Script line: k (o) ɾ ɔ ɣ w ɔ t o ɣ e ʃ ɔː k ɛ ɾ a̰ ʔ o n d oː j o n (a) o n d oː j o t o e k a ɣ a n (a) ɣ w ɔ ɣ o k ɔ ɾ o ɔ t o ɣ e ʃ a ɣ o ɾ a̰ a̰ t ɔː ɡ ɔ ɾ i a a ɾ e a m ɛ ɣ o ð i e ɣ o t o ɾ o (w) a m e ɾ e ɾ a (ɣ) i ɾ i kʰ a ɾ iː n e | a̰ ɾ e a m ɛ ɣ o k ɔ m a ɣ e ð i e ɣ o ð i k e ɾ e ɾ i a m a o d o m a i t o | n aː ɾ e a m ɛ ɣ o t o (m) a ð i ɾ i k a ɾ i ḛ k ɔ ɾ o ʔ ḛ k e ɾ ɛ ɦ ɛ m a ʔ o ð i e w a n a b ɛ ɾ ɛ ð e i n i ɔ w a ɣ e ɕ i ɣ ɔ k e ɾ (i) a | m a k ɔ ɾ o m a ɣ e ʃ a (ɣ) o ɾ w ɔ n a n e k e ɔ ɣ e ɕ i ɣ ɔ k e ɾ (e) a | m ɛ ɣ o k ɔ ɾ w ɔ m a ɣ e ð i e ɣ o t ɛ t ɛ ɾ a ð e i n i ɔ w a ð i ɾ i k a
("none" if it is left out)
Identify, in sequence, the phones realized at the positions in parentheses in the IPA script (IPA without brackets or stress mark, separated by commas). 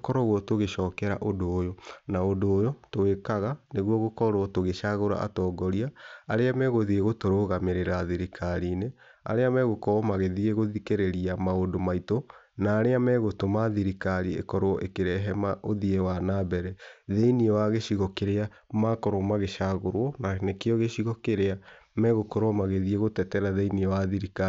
ɔ, a, e, ɣ, ð, m, e, ɣ, e